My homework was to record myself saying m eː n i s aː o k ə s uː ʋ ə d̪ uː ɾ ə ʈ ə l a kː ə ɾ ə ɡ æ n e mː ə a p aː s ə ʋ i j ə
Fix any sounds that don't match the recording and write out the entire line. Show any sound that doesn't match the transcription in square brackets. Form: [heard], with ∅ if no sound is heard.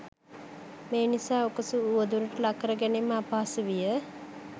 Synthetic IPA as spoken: m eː n i s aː o k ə s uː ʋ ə d̪ [u] ɾ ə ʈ ə l a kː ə ɾ ə ɡ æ n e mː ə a p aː s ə ʋ i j ə

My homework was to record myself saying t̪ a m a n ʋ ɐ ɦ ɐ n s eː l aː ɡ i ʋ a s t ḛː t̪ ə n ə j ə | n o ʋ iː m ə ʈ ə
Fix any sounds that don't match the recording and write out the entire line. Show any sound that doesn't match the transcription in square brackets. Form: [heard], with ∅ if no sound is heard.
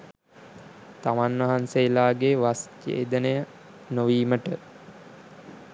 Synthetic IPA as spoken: t̪ a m a n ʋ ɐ ɦ [a] n s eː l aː ɡ [e] ʋ a s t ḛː [d̪] ə n ə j ə | n o ʋ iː m ə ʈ ə

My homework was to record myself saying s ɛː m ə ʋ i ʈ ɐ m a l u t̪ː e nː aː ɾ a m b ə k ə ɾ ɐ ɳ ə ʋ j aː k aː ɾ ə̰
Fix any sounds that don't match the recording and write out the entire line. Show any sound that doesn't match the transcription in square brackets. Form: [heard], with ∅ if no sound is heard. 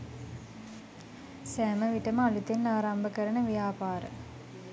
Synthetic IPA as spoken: s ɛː m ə ʋ i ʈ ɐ m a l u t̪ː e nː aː ɾ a m b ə k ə ɾ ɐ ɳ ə ʋ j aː [p] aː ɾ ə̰

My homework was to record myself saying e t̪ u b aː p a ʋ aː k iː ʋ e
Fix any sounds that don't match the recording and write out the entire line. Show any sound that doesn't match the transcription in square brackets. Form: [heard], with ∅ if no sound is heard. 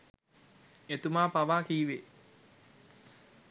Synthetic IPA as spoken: e t̪ u [m] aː p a ʋ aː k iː ʋ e

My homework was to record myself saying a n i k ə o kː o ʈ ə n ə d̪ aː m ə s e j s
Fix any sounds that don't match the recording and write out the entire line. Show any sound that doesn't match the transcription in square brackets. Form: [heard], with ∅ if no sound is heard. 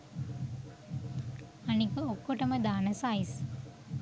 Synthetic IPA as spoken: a n i k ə o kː o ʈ ə [m] ə d̪ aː [n] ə s [a] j s

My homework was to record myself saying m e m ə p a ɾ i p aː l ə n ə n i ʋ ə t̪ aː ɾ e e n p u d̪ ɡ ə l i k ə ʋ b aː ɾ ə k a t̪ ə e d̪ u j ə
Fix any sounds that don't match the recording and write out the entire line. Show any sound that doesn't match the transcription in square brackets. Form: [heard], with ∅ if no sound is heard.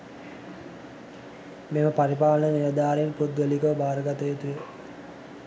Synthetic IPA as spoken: m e m ə p a ɾ i p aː l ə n ə n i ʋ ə [d̪] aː ɾ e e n p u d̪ ɡ ə l i k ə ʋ b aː ɾ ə [ɡ] a t̪ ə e [t̪] u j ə

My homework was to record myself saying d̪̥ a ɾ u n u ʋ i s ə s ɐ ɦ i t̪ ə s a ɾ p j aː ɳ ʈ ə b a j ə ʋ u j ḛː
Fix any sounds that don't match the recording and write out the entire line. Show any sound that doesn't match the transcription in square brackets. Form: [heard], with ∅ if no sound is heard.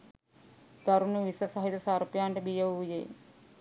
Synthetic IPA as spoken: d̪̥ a ɾ u n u ʋ i s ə s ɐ ɦ i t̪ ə s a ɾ p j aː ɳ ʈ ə b [i] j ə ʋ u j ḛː

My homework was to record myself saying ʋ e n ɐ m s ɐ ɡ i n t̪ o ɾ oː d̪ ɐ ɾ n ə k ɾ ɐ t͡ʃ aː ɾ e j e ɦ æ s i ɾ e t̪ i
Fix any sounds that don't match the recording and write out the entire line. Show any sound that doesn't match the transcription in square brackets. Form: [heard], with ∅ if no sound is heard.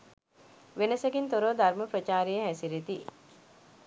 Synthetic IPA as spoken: ʋ e n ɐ [∅] s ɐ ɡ i n t̪ o ɾ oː d̪ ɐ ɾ [m] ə [p] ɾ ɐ t͡ʃ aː ɾ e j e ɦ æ s i ɾ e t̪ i

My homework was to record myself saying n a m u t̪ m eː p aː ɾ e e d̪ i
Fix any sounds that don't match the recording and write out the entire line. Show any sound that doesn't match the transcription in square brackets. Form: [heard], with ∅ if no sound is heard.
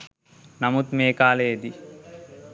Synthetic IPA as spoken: n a m u t̪ m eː [k] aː [l] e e d̪ i

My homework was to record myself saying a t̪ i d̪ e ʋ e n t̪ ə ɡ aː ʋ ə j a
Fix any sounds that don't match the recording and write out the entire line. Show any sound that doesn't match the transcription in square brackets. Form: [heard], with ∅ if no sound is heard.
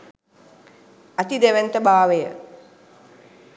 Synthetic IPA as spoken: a t̪ i d̪ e ʋ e n t̪ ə [b] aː ʋ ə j [ə]

